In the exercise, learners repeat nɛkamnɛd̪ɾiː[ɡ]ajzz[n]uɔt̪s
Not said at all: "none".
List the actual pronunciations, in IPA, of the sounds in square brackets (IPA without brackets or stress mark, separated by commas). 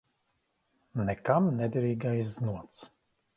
ɡ, n